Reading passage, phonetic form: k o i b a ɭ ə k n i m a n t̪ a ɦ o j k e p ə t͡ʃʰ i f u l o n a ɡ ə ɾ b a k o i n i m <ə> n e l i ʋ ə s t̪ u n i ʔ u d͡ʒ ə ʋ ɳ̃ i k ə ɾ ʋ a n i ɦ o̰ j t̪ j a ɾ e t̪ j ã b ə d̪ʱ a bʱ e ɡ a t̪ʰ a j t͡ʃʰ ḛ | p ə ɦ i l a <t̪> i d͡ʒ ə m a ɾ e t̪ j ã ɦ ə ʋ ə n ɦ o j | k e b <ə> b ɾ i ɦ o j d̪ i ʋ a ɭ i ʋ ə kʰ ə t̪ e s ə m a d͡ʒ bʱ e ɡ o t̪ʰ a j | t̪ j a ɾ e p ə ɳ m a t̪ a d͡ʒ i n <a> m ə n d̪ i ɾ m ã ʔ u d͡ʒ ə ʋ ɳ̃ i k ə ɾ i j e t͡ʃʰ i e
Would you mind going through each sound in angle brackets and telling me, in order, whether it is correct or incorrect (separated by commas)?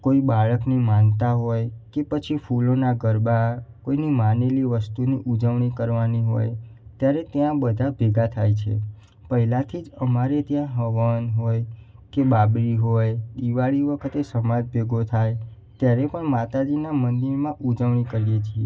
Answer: incorrect, incorrect, incorrect, correct